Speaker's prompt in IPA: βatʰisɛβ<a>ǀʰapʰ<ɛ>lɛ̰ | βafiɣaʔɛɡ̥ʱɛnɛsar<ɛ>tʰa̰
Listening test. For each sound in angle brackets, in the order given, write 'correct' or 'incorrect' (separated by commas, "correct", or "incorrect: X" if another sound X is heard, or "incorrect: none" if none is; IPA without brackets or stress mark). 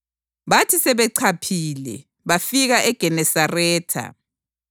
incorrect: ɛ, incorrect: i, incorrect: ɛː